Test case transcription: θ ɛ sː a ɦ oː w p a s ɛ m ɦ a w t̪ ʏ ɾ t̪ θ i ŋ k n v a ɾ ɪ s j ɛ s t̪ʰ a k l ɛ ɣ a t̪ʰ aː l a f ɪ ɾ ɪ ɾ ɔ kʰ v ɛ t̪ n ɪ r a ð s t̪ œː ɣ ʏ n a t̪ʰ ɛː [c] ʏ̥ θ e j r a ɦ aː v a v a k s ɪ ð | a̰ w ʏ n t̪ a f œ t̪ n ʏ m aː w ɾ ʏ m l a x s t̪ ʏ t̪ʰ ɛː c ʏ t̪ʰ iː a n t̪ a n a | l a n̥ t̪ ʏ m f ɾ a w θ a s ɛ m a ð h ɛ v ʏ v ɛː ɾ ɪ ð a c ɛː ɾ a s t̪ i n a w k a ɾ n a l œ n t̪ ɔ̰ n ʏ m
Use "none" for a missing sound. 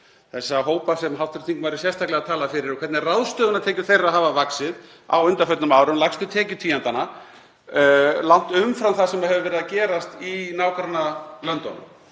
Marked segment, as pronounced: c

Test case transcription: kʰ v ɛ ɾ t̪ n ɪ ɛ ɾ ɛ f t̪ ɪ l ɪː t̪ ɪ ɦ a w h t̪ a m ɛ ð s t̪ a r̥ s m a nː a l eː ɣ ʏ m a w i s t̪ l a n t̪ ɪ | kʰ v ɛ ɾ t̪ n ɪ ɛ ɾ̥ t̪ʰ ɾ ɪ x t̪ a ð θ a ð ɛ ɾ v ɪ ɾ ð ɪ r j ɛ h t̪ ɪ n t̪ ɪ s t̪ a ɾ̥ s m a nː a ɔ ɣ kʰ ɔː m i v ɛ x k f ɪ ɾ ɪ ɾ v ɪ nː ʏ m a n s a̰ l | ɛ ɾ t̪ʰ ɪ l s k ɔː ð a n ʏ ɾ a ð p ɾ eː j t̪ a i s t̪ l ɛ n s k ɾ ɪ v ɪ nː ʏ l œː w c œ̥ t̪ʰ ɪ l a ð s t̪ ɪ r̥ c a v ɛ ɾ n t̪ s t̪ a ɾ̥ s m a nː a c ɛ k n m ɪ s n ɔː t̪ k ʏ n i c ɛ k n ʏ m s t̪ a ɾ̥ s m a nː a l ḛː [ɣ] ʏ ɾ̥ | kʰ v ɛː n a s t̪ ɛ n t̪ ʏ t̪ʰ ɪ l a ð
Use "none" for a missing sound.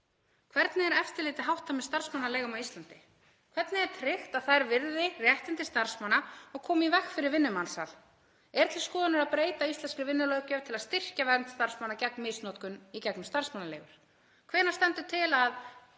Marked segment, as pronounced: ɣ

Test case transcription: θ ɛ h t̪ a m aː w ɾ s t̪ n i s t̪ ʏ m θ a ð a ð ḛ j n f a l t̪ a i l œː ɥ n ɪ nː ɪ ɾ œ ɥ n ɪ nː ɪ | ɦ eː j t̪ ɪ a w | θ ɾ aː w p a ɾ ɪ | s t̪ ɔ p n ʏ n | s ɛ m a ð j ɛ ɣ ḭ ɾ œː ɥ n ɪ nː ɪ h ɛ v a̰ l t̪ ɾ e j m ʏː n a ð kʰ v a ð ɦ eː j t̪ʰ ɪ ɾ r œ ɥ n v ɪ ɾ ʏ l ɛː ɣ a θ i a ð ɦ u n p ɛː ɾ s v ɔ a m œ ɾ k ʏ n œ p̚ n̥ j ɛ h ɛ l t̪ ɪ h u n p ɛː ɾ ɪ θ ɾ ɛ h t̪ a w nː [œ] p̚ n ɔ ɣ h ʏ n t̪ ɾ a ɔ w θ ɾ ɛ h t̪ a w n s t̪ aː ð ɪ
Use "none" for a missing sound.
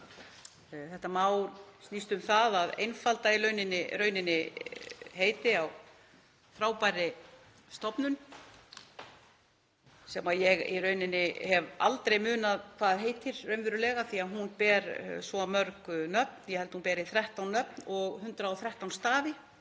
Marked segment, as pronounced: œ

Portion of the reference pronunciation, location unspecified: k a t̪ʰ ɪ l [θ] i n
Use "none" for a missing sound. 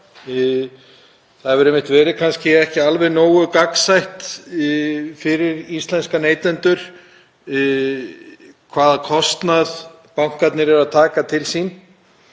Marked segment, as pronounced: s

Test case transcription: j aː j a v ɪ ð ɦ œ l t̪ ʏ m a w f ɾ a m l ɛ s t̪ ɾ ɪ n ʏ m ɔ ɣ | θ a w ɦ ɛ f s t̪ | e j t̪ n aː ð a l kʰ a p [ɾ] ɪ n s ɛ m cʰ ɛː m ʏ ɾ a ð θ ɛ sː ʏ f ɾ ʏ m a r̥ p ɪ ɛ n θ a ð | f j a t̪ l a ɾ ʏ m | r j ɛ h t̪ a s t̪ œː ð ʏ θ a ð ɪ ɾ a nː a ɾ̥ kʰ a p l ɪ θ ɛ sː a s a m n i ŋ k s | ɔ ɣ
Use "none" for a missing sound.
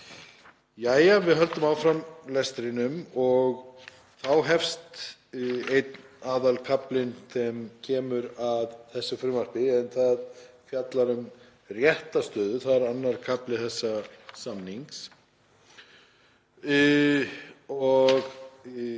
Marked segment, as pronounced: l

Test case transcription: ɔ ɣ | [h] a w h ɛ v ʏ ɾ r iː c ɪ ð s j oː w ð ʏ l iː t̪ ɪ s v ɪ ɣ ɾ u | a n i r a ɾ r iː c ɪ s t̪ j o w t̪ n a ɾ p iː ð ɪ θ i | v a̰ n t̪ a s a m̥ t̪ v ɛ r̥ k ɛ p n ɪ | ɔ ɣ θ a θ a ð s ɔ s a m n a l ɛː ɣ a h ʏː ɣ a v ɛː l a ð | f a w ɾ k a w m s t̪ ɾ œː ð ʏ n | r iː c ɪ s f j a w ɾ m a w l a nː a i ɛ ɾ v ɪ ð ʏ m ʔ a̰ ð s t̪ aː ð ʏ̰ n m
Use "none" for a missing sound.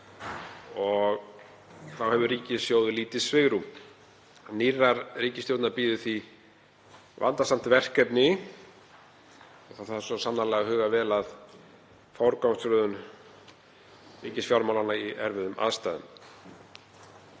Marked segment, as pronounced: θ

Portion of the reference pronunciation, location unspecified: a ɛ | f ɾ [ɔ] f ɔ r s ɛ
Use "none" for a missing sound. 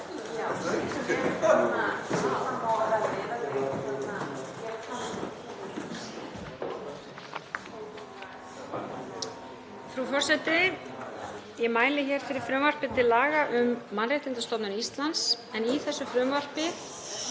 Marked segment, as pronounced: u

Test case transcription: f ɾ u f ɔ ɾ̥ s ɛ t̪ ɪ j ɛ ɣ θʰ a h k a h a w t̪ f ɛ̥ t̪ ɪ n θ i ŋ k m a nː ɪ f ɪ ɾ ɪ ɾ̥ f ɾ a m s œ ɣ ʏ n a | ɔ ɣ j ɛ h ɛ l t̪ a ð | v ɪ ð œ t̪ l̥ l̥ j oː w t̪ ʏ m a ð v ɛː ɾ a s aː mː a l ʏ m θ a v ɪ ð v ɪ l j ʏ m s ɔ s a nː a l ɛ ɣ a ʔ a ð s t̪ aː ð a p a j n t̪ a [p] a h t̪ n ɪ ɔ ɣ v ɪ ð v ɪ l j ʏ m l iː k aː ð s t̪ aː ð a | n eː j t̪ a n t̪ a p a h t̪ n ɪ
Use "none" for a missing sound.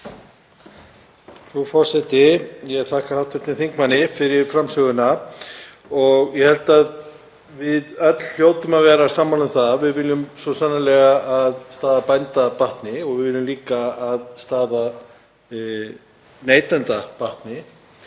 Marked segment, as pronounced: p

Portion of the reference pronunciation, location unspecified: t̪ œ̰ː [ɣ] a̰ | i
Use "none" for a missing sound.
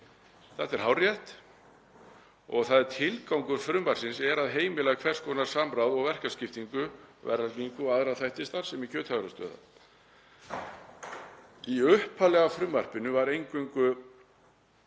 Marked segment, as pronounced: ð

